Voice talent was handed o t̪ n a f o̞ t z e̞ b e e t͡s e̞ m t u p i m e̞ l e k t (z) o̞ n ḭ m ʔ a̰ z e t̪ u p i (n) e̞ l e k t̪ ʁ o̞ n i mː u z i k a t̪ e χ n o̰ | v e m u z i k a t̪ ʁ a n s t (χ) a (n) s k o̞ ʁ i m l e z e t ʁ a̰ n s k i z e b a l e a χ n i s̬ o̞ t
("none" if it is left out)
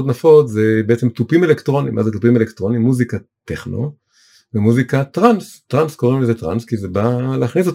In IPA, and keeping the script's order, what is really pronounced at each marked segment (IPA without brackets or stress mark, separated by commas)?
ʁ, m, ʁ, n